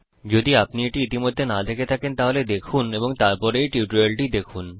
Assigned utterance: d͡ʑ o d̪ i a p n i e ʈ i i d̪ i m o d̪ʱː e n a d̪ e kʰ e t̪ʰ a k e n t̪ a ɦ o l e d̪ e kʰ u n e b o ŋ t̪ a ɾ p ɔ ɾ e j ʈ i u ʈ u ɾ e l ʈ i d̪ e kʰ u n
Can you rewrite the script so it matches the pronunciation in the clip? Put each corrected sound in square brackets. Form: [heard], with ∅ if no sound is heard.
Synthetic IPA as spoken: d͡ʑ o d̪ i a p n i e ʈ i i [t̪] i m o d̪ʱː e n a d̪ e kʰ e t̪ʰ a k e n t̪ a ɦ o l e d̪ e kʰ u n e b o ŋ t̪ a ɾ p ɔ ɾ e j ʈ i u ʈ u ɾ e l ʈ i d̪ e kʰ u n